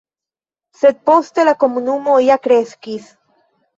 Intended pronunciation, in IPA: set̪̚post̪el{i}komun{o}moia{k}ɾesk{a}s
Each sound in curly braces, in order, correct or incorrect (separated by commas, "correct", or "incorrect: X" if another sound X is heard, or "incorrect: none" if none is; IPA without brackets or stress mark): incorrect: a, incorrect: u, correct, incorrect: i